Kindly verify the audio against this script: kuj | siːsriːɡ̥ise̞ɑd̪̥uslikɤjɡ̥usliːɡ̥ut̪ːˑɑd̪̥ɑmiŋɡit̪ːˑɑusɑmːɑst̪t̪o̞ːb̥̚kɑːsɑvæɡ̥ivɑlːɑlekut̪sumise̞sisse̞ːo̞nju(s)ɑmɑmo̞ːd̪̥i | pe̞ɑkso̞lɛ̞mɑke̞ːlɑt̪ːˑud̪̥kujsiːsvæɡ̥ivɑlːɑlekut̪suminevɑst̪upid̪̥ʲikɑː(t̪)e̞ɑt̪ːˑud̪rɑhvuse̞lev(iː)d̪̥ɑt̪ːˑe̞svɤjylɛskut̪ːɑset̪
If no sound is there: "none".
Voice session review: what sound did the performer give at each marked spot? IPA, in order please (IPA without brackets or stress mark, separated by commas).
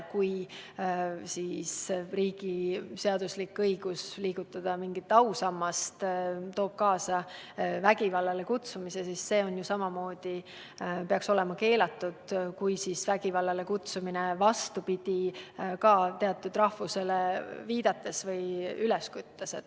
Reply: s, t̪, iː